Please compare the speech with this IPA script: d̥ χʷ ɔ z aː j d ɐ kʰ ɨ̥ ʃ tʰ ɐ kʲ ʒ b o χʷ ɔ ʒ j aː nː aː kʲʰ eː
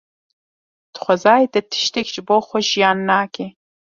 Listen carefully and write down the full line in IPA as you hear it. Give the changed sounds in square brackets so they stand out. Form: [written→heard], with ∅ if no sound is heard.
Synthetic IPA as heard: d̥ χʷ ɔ z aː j d ɐ [kʰ→tʰ] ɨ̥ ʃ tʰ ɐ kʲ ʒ b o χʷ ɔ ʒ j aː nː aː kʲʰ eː

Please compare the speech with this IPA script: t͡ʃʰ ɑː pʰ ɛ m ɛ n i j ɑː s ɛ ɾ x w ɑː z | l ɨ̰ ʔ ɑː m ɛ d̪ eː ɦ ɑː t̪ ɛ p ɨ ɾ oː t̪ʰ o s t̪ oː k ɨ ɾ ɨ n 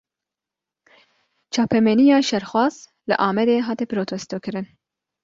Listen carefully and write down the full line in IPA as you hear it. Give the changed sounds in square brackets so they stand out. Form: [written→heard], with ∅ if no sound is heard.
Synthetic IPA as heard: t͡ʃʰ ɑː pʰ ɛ m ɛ n i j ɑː [s→ʃ] ɛ ɾ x w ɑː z | l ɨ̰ ʔ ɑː m ɛ d̪ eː ɦ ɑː t̪ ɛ p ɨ ɾ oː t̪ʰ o s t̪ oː k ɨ ɾ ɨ n

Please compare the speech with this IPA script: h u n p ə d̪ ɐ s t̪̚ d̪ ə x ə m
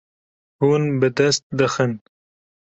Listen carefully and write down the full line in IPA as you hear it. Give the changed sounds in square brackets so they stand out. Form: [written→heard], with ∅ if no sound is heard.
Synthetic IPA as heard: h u n [p→b] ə d̪ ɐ s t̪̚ d̪ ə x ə [m→n]

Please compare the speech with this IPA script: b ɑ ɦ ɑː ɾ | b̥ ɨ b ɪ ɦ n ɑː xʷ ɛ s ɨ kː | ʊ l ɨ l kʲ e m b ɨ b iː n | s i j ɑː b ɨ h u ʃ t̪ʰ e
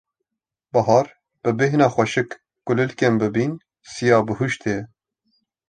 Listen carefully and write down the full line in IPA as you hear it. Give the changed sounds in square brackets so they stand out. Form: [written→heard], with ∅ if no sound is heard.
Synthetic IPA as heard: b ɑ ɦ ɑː ɾ | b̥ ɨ b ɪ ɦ n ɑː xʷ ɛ [s→ʃ] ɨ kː | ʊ l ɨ l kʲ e m b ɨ b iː n | s i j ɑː b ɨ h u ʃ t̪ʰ e

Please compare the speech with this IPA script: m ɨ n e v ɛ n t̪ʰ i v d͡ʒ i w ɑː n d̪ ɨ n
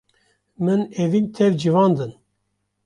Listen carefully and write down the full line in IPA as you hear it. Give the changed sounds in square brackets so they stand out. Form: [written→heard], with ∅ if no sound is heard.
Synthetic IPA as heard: m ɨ n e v [ɛ→i] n t̪ʰ [i→ɛ] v d͡ʒ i [w→v] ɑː n d̪ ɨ n

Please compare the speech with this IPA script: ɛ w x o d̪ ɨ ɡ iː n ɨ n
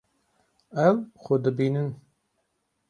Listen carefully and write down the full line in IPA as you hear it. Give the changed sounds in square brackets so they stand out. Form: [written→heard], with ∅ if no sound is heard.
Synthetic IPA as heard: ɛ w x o d̪ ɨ [ɡ→b] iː n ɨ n

